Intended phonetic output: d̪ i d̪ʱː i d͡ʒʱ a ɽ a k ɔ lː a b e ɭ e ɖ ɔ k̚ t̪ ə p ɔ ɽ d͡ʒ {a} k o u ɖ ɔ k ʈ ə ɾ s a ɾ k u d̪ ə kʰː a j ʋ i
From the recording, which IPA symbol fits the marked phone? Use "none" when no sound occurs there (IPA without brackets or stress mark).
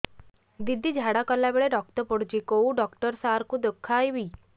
i